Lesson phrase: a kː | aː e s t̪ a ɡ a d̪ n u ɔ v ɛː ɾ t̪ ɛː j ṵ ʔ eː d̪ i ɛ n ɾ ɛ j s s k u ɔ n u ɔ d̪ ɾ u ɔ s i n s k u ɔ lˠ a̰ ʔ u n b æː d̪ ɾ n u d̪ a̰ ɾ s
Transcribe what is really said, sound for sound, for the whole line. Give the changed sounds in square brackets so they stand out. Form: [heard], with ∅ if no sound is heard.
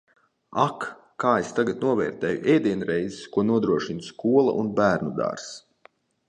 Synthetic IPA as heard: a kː | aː e s t̪ a ɡ a [t̪] n u ɔ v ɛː ɾ t̪ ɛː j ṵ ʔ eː d̪ i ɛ n ɾ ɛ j [z] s k u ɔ n u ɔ d̪ ɾ u ɔ [ʃ] i n s k u ɔ lˠ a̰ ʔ u n b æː [∅] ɾ n u d̪ a̰ ɾ s